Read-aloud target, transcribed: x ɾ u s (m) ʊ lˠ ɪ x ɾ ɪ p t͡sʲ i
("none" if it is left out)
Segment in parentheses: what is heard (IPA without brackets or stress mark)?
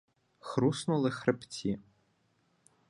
n